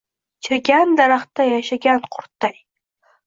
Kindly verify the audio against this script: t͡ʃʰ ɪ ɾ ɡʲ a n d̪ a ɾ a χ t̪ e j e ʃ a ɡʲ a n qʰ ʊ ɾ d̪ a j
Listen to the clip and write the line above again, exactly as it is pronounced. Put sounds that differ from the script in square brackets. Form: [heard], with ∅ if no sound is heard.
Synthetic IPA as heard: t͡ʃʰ ɪ ɾ ɡʲ a n d̪ a ɾ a χ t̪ [a] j [a] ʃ a ɡʲ a n qʰ ʊ ɾ [t̪] a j

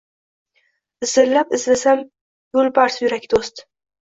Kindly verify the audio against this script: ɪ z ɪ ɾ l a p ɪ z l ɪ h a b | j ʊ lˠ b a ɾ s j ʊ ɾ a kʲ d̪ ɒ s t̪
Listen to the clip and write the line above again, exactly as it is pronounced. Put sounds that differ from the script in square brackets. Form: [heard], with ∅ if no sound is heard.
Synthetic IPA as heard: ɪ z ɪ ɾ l a p ɪ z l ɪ [s] a [m] | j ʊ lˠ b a ɾ s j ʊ ɾ a kʲ d̪ [o] s t̪

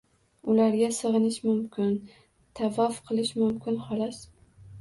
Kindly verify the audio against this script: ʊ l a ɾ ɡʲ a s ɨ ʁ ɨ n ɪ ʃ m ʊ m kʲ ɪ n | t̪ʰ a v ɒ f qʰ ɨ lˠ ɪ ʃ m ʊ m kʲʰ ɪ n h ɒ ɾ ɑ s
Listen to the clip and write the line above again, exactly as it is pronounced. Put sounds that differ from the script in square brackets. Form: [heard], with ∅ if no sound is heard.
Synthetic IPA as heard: ʊ l a ɾ ɡʲ a s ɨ ʁ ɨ n ɪ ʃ m ʊ m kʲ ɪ n | t̪ʰ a v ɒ f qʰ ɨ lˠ ɪ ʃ m ʊ m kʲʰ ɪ n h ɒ [l] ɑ s

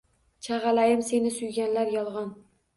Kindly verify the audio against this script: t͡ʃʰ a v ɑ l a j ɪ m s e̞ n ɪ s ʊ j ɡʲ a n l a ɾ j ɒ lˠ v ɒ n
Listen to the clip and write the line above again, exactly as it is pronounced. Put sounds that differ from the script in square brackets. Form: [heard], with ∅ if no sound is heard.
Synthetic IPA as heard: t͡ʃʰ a [ʁ] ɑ l a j ɪ m s e̞ n ɪ s ʊ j ɡʲ a n l a ɾ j ɒ lˠ [ʁ] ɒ n

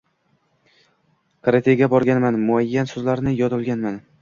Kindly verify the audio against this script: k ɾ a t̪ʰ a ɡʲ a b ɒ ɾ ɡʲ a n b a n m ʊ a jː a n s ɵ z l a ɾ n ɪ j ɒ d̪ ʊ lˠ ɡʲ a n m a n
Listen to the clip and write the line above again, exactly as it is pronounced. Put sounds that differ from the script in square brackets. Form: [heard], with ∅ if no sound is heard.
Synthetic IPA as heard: k ɾ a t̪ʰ [e] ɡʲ a b ɒ ɾ ɡʲ a n [m] a n m ʊ a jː a n s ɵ z l a ɾ n ɪ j ɒ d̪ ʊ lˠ ɡʲ a n m a n

